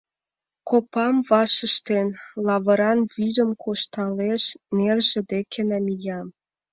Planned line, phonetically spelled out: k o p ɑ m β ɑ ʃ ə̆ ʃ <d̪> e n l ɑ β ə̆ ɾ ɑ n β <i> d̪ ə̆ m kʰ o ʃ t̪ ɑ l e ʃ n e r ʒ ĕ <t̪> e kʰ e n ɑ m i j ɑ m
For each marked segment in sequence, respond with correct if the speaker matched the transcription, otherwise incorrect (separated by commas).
incorrect, incorrect, incorrect